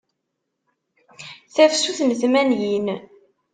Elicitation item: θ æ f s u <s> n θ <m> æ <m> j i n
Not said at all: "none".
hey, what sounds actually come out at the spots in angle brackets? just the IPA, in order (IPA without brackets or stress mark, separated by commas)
θ, m, n